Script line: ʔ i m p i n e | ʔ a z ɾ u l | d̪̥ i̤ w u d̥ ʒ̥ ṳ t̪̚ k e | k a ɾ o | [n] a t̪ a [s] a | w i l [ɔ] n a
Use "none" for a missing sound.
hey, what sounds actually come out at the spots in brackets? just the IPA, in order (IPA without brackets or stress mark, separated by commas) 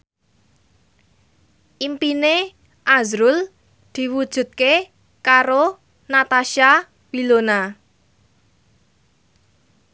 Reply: n, ʃ, o